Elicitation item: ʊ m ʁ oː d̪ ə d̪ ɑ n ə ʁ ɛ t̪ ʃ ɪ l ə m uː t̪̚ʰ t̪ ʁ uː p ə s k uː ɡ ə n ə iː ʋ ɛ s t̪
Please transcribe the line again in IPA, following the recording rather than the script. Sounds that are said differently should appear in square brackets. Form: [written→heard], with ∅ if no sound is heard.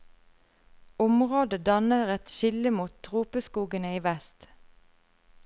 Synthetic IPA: ʊ m ʁ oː d̪ ə d̪ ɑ n ə ʁ ɛ t̪ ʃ ɪ l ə m uː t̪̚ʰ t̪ ʁ uː p ə s k uː ɡ ə n ə iː ʋ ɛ s t̪